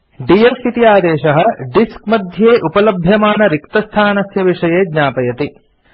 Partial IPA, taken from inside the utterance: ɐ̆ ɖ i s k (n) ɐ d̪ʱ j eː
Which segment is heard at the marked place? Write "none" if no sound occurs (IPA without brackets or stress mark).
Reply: m